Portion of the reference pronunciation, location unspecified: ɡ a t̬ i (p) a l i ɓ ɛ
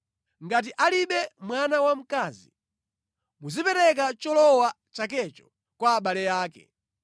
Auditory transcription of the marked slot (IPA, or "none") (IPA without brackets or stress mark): ʔ